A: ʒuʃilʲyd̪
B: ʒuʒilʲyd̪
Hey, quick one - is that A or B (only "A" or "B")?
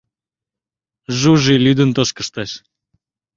B